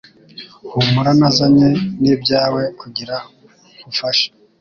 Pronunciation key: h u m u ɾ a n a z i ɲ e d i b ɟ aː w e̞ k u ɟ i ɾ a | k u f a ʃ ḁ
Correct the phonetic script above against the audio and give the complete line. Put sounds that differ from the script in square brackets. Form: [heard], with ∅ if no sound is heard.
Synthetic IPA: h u m u ɾ a n a z [a] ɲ e [n] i b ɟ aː w e̞ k u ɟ i ɾ a | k u f a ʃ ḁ